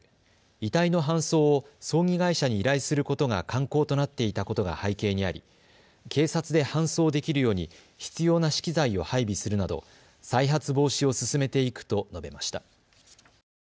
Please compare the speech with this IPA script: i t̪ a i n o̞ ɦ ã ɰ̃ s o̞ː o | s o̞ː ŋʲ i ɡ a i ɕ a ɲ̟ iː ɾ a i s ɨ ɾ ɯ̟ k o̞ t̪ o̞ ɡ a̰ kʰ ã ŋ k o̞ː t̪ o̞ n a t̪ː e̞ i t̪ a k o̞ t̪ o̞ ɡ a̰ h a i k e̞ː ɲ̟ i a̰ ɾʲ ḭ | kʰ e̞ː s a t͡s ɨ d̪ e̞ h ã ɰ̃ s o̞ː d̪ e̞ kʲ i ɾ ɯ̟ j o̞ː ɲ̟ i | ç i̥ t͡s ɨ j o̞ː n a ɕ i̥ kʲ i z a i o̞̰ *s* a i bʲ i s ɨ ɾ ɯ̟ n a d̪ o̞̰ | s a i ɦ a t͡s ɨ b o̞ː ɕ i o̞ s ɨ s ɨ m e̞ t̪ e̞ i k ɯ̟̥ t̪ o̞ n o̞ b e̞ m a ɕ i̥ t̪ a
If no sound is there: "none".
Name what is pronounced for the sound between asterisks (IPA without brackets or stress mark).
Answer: h